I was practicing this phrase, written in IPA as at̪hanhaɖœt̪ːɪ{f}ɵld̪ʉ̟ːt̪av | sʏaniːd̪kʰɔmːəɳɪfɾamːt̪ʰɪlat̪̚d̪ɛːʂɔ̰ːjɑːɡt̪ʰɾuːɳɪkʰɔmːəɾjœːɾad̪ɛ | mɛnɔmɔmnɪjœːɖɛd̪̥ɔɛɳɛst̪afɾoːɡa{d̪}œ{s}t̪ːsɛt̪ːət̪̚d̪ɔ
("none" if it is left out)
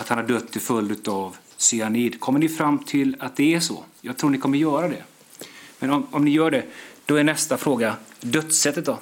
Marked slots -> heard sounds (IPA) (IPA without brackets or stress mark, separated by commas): f, d̪, none